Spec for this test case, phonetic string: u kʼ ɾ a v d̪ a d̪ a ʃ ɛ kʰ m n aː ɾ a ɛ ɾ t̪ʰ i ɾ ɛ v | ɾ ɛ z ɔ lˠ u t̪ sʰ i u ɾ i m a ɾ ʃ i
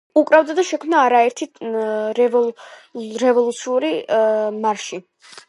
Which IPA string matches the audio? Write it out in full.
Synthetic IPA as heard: u kʼ ɾ a v d̪ a d̪ a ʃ ɛ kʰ m n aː ɾ a ɛ ɾ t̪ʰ i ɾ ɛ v | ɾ ɛ v ɔ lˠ u t̪ sʰ i u ɾ i m a ɾ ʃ i